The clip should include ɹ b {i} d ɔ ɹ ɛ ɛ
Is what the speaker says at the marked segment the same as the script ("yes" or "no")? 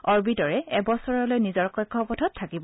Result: yes